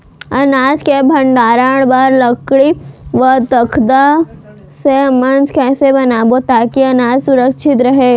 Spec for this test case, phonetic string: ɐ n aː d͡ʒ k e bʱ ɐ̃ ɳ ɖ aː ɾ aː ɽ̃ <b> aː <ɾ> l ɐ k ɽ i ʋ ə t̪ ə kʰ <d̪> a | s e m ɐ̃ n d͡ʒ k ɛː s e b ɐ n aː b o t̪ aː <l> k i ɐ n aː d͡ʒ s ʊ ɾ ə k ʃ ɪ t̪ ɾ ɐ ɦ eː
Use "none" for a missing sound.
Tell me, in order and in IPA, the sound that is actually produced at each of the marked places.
b, ɾ, d̪, none

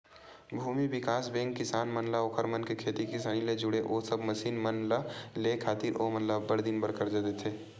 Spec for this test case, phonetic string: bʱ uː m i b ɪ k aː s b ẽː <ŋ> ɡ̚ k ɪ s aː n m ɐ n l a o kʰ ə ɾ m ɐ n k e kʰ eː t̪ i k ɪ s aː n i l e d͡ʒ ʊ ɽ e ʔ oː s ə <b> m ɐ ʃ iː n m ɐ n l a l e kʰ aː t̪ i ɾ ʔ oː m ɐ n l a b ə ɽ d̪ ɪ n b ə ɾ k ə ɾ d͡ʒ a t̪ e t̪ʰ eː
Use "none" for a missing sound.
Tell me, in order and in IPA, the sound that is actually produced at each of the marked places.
ŋ, b

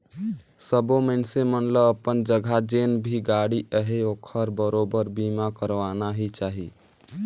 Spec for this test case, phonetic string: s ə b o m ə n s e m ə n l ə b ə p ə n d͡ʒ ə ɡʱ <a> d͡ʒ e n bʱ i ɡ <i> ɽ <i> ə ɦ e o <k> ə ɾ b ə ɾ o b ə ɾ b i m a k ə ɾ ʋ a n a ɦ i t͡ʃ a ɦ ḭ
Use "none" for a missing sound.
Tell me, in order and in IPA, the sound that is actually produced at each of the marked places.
a, a, i, kʰ

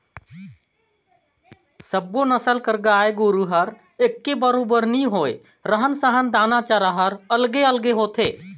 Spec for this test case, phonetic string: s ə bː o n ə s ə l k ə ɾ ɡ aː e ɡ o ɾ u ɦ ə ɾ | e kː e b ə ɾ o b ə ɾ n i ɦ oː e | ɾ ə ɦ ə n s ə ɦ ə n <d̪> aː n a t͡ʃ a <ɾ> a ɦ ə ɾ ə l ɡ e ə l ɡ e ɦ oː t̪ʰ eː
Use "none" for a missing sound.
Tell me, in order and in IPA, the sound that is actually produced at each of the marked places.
d̪, ɾ

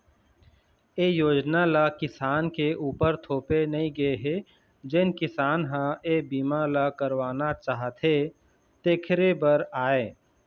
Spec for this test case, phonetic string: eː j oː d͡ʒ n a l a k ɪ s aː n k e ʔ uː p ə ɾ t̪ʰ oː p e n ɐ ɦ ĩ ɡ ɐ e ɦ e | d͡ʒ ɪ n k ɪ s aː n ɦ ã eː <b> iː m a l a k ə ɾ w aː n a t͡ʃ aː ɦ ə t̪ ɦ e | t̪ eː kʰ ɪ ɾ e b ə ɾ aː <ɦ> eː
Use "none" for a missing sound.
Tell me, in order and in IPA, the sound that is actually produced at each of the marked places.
b, none

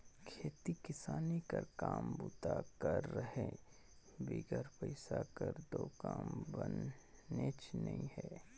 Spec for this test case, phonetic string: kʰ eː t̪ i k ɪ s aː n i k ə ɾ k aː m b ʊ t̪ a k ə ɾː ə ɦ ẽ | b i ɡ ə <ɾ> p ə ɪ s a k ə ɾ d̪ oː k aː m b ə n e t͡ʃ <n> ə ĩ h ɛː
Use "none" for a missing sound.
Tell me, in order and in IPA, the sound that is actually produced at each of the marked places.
ɾ, n

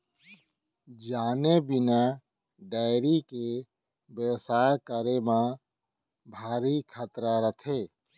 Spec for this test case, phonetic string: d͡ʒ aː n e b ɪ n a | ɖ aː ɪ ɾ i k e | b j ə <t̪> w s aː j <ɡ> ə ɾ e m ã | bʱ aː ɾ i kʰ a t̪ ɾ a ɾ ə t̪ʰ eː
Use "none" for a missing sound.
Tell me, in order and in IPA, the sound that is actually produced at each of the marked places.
none, k

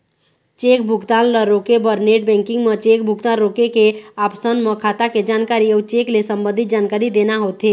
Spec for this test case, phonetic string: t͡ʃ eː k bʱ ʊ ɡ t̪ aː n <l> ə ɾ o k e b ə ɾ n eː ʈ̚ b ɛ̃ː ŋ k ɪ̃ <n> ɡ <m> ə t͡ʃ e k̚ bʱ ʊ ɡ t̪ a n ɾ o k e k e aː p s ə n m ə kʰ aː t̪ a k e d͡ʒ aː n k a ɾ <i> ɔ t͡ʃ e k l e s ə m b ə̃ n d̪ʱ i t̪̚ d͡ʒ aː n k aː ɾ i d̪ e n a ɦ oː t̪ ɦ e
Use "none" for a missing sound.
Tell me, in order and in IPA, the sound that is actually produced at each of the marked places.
l, ŋ, m, i

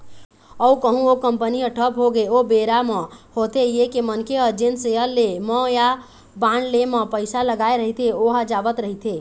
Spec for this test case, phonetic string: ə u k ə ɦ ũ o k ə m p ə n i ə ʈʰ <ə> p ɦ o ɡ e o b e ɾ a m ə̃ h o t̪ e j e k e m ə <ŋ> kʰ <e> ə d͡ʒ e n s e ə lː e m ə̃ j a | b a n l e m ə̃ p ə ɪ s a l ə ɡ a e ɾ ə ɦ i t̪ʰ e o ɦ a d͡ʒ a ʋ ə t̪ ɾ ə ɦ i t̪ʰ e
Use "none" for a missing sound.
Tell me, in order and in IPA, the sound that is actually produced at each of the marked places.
ə, n, e

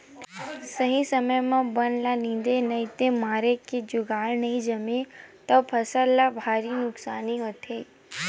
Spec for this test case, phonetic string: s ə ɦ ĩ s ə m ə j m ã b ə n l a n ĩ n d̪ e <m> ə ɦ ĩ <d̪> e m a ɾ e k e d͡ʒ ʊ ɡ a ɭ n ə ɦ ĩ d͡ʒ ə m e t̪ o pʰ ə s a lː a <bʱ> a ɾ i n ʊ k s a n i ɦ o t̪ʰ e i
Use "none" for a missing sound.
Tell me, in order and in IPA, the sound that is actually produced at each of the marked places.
n, t̪, bʱ

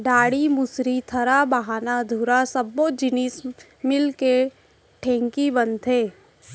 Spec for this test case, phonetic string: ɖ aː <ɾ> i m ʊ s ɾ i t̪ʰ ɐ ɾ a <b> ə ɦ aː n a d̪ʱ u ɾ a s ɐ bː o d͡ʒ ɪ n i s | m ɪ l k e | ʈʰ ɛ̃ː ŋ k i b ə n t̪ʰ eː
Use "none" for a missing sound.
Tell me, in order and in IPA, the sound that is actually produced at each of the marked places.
ɽ, b

